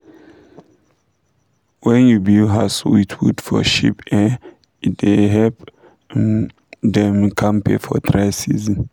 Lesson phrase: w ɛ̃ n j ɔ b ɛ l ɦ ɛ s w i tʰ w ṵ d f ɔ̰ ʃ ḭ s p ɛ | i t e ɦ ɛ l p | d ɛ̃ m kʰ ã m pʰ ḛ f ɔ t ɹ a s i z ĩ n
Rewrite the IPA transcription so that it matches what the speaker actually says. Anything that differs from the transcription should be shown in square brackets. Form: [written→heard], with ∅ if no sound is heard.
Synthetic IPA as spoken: w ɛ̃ n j [ɔ→u] b [ɛ→i] l ɦ [ɛ→a] s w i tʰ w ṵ d f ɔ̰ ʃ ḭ [s→∅] p ɛ | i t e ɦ ɛ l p | d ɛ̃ m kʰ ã m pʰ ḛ f ɔ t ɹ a s i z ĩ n